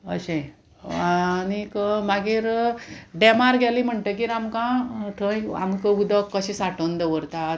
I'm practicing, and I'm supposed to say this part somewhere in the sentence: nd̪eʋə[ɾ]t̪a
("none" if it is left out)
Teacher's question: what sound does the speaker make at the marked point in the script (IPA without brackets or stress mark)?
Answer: ɾ